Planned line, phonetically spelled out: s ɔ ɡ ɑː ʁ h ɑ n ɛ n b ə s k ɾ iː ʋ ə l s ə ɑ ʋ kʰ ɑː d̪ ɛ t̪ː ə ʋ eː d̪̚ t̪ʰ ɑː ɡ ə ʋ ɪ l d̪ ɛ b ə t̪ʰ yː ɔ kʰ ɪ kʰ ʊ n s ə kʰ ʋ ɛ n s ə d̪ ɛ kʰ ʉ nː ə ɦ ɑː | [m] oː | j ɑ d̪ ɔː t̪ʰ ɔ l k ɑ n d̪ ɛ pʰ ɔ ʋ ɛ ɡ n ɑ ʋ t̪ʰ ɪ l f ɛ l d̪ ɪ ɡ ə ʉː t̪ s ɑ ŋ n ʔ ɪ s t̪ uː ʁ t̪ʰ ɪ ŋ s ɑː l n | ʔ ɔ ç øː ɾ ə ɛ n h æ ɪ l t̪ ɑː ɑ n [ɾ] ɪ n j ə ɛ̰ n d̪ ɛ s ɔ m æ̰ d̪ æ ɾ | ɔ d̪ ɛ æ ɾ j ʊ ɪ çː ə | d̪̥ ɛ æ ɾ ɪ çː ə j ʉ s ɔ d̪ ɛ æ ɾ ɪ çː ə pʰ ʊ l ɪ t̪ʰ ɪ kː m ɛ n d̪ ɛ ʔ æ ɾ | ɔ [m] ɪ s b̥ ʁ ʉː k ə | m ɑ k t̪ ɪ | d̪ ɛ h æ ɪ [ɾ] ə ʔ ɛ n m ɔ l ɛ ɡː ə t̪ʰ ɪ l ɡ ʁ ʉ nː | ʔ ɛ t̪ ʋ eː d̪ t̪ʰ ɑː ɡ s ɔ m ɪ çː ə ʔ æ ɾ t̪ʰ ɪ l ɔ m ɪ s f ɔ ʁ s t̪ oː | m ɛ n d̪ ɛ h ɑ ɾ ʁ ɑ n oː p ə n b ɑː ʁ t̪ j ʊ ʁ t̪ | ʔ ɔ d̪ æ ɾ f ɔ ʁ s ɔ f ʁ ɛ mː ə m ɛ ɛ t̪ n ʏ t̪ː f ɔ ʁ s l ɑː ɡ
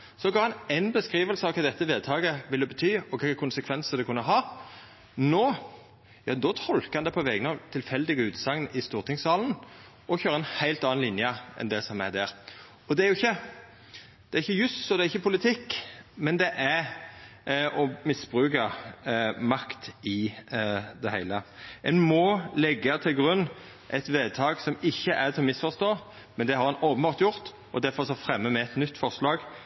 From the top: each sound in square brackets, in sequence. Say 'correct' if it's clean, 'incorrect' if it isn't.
incorrect, incorrect, correct, incorrect

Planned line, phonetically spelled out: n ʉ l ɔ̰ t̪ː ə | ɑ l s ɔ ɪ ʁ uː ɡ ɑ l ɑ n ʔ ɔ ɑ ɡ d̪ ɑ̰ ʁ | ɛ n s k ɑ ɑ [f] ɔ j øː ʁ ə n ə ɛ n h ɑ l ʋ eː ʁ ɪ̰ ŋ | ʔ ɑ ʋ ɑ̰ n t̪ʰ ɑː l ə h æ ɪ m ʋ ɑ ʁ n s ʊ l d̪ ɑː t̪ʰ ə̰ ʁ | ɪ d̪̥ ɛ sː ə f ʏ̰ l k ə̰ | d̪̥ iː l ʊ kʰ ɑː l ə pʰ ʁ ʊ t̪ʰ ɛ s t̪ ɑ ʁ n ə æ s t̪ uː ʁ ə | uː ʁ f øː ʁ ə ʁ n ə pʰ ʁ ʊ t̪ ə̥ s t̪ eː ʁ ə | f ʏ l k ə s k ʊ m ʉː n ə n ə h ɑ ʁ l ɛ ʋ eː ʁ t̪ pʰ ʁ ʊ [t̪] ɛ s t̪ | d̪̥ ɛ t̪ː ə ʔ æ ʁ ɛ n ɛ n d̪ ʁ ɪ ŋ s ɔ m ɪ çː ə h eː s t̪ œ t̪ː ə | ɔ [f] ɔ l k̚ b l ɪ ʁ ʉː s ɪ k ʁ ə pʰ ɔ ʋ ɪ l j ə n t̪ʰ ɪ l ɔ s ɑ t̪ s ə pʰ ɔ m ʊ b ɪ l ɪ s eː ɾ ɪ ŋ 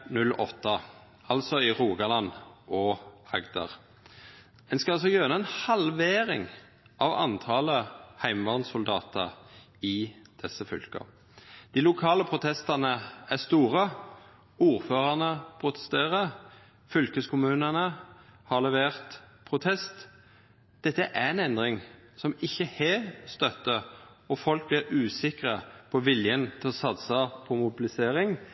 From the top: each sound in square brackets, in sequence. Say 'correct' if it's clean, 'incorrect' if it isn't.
incorrect, incorrect, correct

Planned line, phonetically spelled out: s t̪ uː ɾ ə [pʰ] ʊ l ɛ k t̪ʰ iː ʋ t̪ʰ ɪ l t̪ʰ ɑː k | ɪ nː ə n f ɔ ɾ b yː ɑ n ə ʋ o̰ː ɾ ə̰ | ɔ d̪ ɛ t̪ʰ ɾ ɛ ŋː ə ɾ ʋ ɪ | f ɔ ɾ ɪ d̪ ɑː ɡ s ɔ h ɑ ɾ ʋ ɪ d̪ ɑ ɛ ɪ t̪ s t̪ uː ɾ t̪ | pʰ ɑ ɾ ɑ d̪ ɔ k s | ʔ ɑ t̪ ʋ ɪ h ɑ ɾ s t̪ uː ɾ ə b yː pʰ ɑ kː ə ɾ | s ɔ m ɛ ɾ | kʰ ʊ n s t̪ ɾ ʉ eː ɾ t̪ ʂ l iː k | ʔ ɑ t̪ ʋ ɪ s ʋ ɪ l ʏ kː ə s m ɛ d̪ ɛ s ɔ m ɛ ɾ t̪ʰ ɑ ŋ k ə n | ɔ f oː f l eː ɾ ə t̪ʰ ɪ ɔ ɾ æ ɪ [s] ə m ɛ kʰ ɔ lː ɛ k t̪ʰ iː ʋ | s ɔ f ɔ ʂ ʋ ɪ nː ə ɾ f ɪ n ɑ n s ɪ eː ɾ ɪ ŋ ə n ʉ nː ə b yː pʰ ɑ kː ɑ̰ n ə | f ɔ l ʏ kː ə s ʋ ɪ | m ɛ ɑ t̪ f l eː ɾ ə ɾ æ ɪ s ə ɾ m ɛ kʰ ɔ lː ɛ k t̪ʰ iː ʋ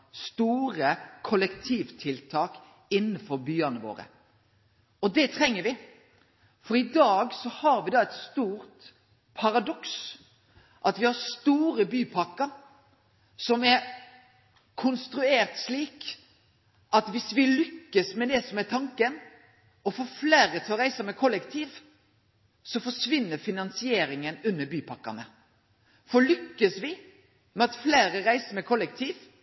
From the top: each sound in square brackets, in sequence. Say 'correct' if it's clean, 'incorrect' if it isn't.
incorrect, correct

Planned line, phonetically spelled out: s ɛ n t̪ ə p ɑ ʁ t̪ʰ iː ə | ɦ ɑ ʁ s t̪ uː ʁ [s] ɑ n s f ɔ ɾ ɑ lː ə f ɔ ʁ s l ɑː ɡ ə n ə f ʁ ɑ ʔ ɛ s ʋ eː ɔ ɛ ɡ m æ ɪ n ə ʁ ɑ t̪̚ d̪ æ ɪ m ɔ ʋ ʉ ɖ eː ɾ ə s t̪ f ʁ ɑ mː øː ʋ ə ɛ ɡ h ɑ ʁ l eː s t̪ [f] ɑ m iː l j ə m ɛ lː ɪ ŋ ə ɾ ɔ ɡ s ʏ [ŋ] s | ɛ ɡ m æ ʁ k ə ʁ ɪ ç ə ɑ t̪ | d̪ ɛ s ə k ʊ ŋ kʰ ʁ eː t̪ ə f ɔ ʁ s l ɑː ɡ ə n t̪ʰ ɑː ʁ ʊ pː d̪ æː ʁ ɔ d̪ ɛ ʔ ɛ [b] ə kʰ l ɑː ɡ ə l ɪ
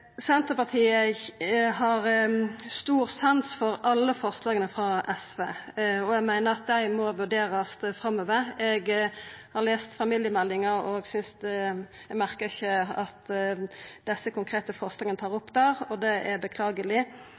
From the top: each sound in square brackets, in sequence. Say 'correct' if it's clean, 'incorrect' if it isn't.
correct, correct, incorrect, correct

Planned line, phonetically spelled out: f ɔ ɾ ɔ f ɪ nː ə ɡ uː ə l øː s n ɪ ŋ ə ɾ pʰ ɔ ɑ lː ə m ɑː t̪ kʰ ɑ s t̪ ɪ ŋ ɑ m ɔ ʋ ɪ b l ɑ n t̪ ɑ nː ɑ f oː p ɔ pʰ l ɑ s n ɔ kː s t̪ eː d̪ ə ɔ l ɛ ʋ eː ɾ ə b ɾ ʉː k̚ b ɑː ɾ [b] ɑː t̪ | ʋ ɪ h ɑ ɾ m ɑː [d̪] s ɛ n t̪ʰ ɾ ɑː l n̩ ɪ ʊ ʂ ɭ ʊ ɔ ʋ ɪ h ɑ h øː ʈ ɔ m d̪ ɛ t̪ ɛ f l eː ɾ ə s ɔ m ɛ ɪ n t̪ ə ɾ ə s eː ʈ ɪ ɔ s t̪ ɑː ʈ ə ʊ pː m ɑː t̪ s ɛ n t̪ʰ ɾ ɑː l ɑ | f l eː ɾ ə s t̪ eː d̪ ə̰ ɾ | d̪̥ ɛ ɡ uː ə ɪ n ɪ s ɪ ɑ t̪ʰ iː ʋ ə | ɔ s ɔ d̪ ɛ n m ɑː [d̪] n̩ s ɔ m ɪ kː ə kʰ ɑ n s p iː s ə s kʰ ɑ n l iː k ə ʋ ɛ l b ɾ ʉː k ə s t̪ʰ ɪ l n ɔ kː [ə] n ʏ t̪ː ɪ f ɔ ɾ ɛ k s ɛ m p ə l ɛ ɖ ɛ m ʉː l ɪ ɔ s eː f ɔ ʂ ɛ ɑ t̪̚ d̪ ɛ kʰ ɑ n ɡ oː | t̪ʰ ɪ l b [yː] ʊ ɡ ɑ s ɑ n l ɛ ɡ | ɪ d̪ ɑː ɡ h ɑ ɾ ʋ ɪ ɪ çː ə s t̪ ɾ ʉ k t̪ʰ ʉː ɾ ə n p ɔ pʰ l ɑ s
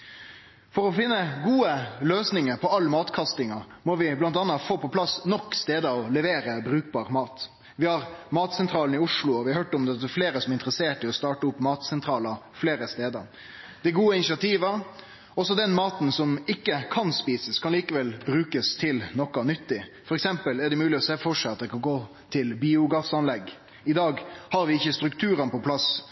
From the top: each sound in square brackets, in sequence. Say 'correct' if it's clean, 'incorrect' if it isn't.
incorrect, incorrect, incorrect, incorrect, incorrect

